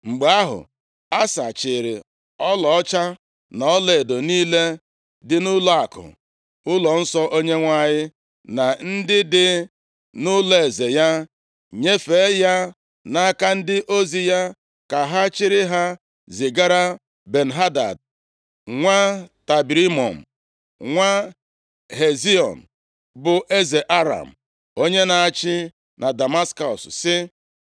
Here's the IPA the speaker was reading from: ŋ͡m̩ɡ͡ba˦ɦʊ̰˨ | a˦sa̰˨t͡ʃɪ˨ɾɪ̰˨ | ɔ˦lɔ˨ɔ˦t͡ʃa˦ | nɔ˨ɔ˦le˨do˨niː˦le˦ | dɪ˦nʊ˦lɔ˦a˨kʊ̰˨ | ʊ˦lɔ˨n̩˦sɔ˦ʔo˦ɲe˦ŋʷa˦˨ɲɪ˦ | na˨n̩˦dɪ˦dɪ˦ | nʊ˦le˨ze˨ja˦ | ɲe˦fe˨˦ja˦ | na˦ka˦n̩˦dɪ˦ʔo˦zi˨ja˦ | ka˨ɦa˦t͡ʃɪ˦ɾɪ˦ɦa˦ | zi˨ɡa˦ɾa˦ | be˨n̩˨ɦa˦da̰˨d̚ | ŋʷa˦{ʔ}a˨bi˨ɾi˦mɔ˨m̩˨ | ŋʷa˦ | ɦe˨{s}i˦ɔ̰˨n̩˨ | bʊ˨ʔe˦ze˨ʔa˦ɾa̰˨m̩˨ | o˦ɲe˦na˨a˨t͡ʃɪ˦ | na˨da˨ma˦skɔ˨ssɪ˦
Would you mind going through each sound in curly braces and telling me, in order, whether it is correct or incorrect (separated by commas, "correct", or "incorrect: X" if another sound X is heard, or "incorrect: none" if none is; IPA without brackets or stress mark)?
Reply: incorrect: t, incorrect: z